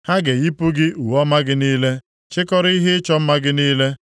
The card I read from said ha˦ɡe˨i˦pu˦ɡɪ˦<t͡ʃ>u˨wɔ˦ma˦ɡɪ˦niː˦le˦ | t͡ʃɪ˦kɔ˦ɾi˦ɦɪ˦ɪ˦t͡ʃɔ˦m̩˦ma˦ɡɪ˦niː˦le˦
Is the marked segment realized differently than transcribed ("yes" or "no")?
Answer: yes